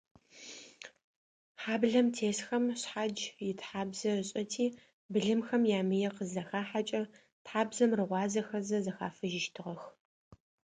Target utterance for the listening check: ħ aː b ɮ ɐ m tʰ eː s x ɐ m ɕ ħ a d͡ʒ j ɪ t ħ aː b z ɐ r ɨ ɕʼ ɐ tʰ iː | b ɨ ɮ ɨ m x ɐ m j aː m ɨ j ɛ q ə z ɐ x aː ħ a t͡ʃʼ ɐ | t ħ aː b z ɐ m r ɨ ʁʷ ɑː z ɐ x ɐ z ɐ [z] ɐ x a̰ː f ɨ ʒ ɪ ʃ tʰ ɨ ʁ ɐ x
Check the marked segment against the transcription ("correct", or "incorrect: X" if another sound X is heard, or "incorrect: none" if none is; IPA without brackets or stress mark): correct